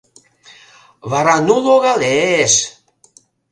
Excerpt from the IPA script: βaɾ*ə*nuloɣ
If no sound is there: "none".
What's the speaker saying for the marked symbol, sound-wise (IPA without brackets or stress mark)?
a